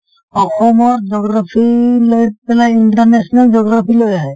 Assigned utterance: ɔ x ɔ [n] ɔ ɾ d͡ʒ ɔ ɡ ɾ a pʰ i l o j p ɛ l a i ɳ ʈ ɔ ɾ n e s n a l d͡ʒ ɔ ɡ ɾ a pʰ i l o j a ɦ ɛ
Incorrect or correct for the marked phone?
incorrect: m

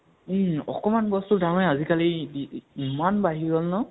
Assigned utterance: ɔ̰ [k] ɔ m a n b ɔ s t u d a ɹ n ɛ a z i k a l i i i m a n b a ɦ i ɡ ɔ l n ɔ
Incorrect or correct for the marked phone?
correct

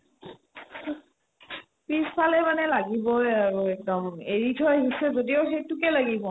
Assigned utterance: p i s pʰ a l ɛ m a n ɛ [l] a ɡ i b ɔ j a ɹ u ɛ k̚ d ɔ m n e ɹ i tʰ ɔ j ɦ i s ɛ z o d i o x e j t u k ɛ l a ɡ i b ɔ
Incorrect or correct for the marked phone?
correct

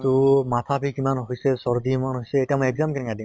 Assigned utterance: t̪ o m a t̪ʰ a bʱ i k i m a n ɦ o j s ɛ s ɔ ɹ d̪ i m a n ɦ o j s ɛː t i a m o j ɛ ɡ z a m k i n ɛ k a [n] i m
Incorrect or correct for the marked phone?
incorrect: d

